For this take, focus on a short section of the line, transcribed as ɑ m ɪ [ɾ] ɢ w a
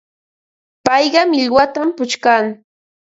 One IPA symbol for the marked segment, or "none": ʎ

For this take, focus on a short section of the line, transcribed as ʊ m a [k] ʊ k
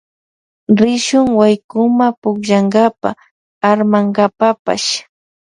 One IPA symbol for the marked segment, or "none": p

